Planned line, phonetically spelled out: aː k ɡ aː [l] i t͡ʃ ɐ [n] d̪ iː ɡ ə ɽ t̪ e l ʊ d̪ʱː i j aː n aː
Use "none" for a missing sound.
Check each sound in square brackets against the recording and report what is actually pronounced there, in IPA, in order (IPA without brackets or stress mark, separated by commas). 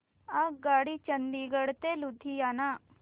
ɽ, n